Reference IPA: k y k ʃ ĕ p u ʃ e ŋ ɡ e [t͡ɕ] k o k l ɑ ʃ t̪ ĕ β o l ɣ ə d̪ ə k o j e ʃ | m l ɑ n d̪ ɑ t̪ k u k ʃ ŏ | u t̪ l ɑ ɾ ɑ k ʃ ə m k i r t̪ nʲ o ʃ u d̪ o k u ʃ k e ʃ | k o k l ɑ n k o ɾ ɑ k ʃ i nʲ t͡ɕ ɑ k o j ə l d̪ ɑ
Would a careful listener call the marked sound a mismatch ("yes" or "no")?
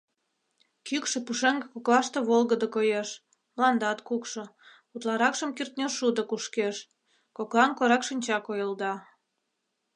yes